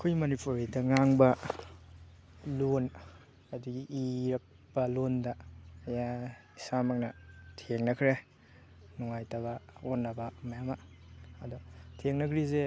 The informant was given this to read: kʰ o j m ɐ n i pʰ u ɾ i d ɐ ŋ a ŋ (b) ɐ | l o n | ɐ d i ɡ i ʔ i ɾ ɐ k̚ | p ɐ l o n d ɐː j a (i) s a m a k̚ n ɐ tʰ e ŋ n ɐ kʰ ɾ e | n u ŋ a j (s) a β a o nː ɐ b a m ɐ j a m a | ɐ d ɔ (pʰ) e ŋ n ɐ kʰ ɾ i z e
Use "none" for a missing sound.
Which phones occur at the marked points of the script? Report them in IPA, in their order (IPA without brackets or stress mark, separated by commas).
b, i, t, tʰ